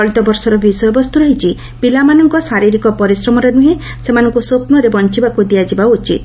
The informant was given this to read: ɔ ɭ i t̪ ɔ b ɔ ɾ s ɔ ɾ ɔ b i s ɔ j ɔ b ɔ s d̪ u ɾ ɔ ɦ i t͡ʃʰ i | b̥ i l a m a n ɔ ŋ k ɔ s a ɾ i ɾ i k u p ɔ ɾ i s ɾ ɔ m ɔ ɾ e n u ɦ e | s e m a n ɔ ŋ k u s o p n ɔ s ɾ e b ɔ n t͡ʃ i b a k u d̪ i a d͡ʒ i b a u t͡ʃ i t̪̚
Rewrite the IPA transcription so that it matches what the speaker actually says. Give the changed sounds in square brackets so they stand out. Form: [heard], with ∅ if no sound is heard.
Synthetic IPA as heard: ɔ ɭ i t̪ ɔ b ɔ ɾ s ɔ ɾ ɔ b i s ɔ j ɔ b ɔ s [t̪] u ɾ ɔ ɦ i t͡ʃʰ i | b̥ i l a m a n ɔ ŋ k ɔ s a ɾ i ɾ i k [ɔ] p ɔ ɾ i s ɾ ɔ m ɔ ɾ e n u ɦ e | s e m a n ɔ ŋ k u s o p n ɔ [∅] ɾ e b ɔ n t͡ʃ i b a k u d̪ i a d͡ʒ i b a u t͡ʃ i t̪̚